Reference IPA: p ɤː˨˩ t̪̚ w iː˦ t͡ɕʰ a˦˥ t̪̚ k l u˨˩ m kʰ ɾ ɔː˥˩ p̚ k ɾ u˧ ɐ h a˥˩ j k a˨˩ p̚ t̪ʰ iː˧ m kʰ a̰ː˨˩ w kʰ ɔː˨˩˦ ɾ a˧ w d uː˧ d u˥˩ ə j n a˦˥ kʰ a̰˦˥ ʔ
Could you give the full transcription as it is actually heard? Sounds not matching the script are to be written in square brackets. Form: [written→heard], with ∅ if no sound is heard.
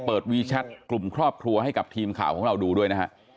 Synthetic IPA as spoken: p ɤː˨˩ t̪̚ w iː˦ t͡ɕʰ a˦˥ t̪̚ k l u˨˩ m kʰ ɾ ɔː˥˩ p̚ [k→kʰ] ɾ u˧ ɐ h a˥˩ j k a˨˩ p̚ t̪ʰ iː˧ m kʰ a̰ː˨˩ w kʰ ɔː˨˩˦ ɾ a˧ w d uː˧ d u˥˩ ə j n a˦˥ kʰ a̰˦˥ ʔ